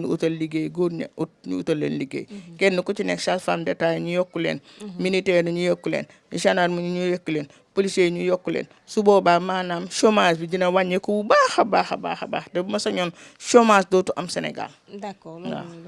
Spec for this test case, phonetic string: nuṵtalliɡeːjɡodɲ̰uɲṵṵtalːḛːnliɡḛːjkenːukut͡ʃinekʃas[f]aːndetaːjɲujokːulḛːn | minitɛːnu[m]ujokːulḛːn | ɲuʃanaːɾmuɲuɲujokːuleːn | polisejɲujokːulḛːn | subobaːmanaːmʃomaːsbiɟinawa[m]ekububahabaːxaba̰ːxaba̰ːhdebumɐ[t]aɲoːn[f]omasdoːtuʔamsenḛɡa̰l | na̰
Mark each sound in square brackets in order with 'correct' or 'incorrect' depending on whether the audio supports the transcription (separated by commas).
correct, incorrect, incorrect, incorrect, incorrect